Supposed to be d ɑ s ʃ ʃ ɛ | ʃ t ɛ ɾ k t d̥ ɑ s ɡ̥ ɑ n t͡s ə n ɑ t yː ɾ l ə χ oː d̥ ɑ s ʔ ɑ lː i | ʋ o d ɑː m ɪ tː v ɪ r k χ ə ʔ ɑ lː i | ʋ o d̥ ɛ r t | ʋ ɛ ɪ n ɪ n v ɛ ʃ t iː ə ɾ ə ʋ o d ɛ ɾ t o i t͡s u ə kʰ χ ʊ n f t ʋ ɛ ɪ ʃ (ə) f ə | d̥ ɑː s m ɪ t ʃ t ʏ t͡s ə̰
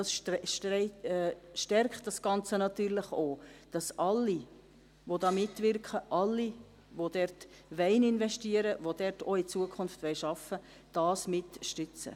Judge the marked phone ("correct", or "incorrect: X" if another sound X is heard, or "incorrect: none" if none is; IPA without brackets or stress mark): incorrect: ɑ